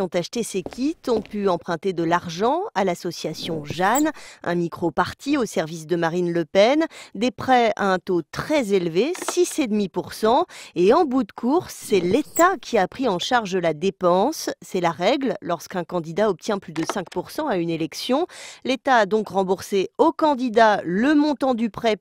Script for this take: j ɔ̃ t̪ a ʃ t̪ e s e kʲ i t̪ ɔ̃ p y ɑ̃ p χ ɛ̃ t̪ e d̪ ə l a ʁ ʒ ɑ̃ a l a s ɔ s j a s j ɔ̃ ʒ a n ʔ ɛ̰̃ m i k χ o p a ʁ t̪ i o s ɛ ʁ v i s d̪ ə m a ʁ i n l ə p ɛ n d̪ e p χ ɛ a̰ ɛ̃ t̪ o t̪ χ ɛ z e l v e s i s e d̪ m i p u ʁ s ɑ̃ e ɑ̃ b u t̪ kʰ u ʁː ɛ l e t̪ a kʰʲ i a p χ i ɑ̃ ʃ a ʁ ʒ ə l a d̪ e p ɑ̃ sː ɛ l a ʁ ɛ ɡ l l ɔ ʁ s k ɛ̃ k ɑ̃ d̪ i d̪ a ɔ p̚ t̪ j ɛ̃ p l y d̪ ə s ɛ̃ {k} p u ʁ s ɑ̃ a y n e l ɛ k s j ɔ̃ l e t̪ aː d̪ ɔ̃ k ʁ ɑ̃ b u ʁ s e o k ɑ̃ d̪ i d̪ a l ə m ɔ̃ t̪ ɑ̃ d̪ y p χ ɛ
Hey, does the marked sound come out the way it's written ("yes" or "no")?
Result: yes